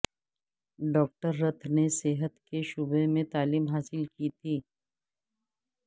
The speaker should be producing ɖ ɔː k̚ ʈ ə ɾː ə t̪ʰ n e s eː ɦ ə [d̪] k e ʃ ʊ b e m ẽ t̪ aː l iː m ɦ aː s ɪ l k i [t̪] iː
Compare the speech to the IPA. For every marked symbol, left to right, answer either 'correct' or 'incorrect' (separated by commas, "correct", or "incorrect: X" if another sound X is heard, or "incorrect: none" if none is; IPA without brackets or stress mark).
incorrect: t̪, incorrect: t̪ʰ